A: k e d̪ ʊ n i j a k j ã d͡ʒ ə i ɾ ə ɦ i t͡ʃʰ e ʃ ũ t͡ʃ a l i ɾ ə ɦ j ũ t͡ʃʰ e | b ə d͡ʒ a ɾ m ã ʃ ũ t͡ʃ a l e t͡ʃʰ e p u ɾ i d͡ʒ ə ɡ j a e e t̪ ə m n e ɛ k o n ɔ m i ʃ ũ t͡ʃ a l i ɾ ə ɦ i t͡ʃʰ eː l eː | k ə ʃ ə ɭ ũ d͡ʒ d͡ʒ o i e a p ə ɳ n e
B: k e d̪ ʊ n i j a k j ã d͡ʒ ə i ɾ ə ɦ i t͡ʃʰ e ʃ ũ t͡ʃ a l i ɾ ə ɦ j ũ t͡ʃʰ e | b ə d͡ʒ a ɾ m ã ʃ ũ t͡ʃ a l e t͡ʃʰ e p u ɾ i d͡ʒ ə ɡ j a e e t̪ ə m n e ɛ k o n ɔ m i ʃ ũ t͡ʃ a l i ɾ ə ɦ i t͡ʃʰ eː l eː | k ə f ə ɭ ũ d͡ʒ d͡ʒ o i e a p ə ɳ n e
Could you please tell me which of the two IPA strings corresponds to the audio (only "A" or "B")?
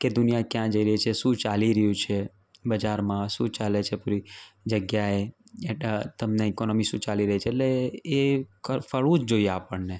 B